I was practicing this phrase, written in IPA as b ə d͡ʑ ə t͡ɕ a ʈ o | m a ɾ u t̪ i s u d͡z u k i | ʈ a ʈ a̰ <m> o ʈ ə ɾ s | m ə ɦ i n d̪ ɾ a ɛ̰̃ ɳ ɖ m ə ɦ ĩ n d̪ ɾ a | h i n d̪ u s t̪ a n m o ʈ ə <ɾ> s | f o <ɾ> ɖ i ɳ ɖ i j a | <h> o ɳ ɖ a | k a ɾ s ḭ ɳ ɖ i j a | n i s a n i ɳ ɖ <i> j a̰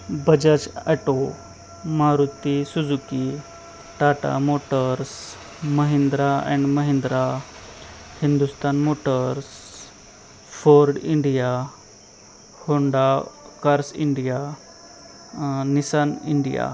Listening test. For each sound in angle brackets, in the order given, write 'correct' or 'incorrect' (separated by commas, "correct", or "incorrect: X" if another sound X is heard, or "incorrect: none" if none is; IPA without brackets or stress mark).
correct, correct, correct, correct, correct